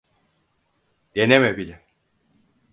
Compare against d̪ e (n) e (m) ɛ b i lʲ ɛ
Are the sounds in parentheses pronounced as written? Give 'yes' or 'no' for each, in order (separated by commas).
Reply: yes, yes